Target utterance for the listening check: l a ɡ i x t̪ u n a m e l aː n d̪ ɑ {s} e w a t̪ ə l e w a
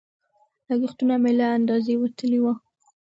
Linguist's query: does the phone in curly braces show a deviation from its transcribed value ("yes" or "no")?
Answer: yes